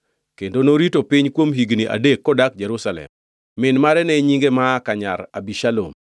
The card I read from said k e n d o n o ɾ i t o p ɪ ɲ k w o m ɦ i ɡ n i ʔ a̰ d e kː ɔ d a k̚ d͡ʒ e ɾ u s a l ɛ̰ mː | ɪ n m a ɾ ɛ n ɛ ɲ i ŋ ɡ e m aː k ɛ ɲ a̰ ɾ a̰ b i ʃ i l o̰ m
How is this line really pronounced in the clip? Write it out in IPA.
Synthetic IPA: k e n d o n o ɾ i t o p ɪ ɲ k w o m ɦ i ɡ n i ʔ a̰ d e kː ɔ d a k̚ d͡ʒ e ɾ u s a l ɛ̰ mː | ɪ n m a ɾ ɛ n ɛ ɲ i ŋ ɡ e m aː k a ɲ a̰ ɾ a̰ b i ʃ a l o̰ m